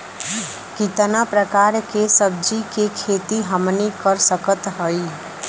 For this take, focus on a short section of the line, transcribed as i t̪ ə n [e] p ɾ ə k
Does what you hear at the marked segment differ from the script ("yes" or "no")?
yes